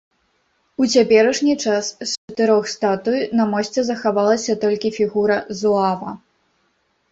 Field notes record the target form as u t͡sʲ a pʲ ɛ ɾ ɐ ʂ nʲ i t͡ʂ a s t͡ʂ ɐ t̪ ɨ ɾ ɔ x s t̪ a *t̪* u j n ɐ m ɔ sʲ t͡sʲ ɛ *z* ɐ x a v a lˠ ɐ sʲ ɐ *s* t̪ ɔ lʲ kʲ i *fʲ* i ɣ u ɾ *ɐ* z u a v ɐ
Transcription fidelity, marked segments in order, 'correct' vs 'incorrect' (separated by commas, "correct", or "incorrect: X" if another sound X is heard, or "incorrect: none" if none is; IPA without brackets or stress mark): correct, correct, incorrect: none, correct, correct